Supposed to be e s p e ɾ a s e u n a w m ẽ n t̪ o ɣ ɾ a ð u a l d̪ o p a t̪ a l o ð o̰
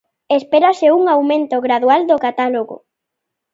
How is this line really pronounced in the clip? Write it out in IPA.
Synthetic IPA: e s p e ɾ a s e u ŋ a w m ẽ n t̪ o ɣ ɾ a ð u a l d̪ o k a t̪ a l o ɣ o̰

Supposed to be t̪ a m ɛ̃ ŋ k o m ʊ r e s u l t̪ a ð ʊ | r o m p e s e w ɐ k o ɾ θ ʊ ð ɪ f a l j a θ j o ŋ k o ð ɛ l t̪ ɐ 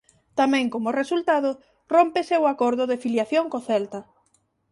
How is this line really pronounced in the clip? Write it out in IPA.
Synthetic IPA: t̪ a m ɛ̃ ŋ k o m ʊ r e s u l t̪ a ð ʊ | r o m p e s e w a k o ɾ ð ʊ ð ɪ f i l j a θ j o ŋ k o θ ɛ l t̪ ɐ

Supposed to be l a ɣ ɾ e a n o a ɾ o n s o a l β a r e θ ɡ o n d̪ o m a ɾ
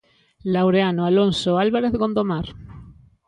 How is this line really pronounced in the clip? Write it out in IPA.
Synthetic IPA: l a w ɾ e a n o a l o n s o a l β a ɾ e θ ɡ o n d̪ o m a ɾ

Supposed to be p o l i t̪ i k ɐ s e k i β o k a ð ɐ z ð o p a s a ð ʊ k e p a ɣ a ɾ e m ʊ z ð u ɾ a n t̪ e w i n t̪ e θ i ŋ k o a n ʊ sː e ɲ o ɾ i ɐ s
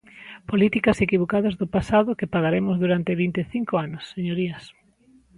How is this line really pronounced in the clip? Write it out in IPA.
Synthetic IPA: p o l i t̪ i k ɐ s e k i β o k a ð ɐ z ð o p a s a ð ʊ k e p a ɣ a ɾ e m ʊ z ð u ɾ a n t̪ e β i n t̪ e θ i ŋ k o a n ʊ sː e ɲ o ɾ i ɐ s

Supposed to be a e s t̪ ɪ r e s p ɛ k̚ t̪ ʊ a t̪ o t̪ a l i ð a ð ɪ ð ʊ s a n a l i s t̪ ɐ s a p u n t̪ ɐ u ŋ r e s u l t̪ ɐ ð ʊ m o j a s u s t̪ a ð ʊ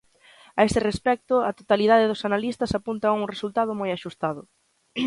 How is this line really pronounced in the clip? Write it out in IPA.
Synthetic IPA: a e s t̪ ɪ r e s p ɛ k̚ t̪ ʊ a t̪ o t̪ a l i ð a ð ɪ ð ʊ s a n a l i s t̪ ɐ s a p u n t̪ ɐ u ŋ r e s u l t̪ a ð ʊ m o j a ʃ u s t̪ a ð ʊ

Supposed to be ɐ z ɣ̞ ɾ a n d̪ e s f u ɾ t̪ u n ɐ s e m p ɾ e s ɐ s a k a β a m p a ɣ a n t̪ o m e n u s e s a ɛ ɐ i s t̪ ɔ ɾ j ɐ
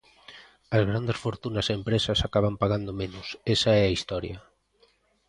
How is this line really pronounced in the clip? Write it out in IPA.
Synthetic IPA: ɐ z ɣ̞ ɾ a n d̪ e s f o ɾ t̪ u n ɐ s e m p ɾ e s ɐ s a k a β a m p a ɣ a n d̪ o m e n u s e s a ɛ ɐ i s t̪ ɔ ɾ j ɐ

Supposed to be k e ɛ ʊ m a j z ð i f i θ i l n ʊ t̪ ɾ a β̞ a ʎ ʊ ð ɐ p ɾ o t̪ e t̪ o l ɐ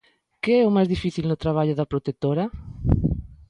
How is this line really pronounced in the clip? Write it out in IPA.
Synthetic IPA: k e ɛ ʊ m a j z ð i f i θ i l n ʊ t̪ ɾ a β̞ a ʎ ʊ ð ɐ p ɾ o t̪ e t̪ o ɾ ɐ

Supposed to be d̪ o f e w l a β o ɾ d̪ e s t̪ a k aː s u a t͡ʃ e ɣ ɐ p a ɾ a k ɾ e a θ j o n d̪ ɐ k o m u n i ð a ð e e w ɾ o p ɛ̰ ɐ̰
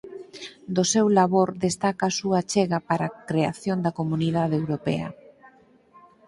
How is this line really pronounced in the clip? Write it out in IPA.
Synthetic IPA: d̪ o s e w l a β o ɾ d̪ e s t̪ a k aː s u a t͡ʃ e ɣ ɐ p a ɾ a k ɾ e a θ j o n d̪ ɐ k o m u n i ð a ð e e w ɾ o p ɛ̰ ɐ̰

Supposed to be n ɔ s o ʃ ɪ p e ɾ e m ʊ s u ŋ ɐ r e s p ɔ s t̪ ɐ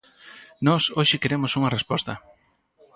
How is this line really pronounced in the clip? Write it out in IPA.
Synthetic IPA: n ɔ s o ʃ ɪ k e ɾ e m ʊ s u ŋ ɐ r e s p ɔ s t̪ ɐ

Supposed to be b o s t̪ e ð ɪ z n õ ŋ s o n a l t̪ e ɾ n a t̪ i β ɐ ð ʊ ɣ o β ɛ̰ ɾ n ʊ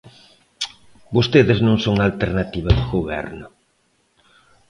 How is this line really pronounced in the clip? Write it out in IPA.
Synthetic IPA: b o s t̪ e ð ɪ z n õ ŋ s o ŋ a l t̪ e ɾ n a t̪ i β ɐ ð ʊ ɣ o β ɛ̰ ɾ n ʊ

